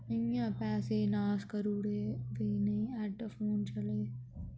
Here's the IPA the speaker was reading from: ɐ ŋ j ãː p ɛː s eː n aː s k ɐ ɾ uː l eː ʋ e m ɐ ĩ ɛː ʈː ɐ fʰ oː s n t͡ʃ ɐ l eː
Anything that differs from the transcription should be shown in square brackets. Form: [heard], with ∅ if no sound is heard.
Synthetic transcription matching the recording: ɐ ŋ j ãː p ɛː s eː n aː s k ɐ ɾ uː [ɽ] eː ʋ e [n] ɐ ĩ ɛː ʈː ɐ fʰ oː [∅] n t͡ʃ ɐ l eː